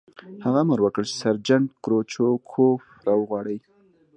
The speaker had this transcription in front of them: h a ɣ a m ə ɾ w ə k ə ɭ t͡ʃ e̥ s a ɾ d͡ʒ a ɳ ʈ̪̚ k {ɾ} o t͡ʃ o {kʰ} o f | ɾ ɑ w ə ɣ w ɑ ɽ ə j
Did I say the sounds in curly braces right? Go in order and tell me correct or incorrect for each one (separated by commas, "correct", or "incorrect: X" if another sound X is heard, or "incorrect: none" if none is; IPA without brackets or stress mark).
correct, correct